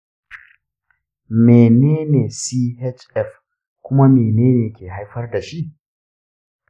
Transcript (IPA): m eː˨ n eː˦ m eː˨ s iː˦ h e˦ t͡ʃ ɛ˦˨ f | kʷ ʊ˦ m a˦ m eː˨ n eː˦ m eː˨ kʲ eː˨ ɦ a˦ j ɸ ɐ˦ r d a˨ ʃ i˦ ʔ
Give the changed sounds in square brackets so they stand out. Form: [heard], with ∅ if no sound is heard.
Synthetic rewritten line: m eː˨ n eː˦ [n] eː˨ s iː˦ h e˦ t͡ʃ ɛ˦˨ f | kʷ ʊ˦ m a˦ m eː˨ n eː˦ [n] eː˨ kʲ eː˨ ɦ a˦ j ɸ ɐ˦ r d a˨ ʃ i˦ ʔ

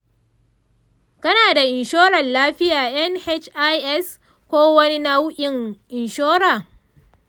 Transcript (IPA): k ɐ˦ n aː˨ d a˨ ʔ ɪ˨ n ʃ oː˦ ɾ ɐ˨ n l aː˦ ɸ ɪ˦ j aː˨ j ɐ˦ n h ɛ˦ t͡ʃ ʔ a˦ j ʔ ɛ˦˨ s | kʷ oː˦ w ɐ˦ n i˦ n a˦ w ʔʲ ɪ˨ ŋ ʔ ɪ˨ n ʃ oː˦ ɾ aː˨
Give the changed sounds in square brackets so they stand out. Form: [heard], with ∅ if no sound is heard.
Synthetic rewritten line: k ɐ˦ n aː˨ d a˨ ʔ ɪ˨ n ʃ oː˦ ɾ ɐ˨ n l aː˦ ɸ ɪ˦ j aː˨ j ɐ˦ n h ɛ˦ t͡ʃ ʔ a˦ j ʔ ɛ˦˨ s | kʷ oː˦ w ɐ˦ n i˦ n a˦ w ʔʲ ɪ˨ ŋ ʔ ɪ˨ n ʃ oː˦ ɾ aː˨

